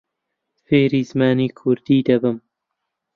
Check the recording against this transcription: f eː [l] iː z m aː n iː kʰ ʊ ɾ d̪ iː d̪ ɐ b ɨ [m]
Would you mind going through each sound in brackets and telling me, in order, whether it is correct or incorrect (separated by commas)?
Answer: incorrect, correct